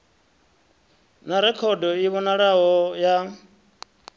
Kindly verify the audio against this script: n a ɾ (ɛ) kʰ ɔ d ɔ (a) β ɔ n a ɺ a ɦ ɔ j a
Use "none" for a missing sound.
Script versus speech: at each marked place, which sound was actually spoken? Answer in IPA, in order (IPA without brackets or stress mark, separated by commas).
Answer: ɛ, i